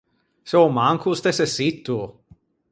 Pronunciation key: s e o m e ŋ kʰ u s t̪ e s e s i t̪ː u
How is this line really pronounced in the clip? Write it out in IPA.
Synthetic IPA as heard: s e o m a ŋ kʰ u s t̪ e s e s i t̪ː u